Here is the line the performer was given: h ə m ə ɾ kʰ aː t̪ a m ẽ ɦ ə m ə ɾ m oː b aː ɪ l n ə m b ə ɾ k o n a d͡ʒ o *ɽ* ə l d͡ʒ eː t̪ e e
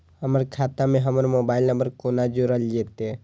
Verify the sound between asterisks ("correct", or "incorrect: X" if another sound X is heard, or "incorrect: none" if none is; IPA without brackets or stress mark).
incorrect: ɾ